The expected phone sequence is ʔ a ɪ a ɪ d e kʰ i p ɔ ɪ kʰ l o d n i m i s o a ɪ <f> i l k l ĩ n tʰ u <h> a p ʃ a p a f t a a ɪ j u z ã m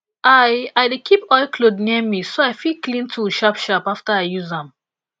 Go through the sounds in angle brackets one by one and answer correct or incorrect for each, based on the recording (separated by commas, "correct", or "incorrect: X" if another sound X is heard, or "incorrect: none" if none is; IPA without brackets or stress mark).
correct, incorrect: ʃ